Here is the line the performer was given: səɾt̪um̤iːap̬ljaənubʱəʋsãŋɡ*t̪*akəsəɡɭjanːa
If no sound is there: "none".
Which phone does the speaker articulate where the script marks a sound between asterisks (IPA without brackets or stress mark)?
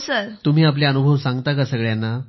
t̪